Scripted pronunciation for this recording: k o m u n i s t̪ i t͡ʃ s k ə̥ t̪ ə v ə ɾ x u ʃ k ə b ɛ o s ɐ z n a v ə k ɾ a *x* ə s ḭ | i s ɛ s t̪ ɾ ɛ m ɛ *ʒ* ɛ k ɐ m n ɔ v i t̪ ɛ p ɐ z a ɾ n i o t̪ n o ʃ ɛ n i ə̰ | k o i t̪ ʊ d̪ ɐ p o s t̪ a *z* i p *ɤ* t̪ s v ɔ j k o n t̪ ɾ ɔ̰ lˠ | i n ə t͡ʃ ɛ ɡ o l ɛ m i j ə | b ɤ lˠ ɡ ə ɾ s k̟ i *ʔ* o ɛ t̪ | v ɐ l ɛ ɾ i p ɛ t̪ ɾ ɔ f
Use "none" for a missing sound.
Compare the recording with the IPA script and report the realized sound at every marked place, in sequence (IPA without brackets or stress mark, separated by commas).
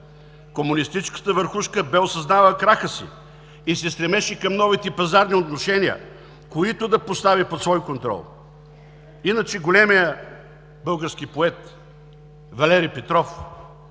x, ʃ, v, o, p